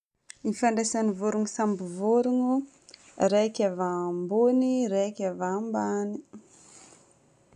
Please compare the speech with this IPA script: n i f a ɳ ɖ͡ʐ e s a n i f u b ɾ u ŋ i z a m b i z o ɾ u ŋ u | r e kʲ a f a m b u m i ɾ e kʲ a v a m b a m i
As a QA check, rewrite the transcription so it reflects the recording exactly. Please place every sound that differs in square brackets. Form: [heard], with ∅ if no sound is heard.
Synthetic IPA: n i f a ɳ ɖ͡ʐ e s a n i [v] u [∅] ɾ u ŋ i [s] a m b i [v] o ɾ u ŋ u | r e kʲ a [v] a m b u [n] i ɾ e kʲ a v a m b a [n] i